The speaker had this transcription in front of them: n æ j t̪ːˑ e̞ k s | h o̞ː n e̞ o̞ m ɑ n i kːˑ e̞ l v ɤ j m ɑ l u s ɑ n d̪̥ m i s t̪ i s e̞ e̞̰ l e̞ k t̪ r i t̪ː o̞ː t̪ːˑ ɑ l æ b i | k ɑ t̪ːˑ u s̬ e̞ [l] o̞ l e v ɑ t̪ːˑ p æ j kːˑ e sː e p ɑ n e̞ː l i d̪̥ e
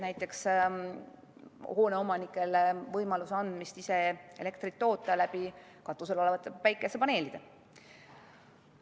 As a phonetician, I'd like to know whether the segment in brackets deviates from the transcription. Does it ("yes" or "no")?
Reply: no